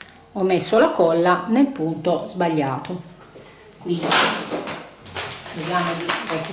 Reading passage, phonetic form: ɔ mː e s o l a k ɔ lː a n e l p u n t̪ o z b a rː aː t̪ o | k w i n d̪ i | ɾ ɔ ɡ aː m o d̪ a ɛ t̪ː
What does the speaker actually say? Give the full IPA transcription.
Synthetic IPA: ɔ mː e sː o l a k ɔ lː a n e l p u n t̪ o z b a ʎː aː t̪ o | k w i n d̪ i | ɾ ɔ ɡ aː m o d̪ i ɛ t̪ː